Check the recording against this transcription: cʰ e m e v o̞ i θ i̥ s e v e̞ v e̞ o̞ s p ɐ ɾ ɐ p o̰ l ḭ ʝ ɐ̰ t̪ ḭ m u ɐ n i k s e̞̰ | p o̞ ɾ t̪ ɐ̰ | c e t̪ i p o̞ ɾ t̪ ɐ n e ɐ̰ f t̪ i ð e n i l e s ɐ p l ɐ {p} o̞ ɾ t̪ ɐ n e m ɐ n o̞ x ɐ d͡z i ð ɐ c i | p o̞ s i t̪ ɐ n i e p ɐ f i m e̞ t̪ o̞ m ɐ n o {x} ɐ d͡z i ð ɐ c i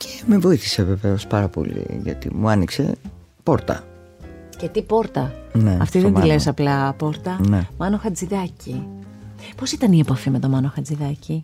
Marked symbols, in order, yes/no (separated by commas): yes, yes